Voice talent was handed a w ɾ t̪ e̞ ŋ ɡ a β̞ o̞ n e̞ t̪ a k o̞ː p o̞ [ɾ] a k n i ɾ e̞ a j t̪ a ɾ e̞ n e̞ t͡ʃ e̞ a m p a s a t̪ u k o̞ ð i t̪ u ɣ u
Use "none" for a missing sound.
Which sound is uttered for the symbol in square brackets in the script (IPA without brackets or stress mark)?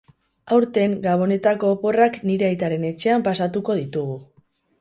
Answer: r